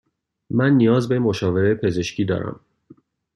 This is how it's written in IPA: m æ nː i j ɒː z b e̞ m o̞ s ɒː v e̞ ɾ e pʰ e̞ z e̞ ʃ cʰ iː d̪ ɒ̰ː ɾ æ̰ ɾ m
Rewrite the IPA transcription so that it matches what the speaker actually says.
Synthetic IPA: m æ nː i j ɒː z b e̞ m o̞ ʃ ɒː v e̞ ɾ e pʰ e̞ z e̞ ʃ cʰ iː d̪ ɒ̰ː ɾ æ̰ m